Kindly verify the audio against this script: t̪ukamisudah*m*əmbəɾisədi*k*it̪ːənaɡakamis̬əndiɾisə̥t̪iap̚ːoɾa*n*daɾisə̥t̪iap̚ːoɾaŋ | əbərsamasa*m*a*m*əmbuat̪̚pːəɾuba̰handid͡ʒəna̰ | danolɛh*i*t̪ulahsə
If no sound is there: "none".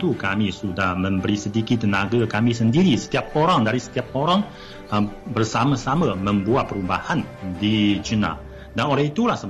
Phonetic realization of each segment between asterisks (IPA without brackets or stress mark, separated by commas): m, k, ŋ, m, m, i